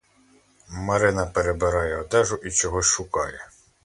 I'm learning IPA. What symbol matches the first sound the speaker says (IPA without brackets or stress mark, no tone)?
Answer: m